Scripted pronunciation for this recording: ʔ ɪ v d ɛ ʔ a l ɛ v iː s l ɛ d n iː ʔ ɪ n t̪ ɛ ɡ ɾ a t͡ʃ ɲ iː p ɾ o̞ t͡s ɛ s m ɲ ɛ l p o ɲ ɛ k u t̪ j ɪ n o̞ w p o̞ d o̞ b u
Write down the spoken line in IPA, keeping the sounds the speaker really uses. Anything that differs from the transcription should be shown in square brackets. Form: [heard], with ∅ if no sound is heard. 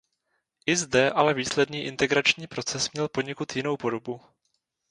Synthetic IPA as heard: ʔ ɪ [z] d ɛ ʔ a l ɛ v iː s l ɛ d n iː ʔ ɪ n t̪ ɛ ɡ ɾ a t͡ʃ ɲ iː p ɾ o̞ t͡s ɛ s m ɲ ɛ l p o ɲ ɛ k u t̪ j ɪ n o̞ w p o̞ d o̞ b u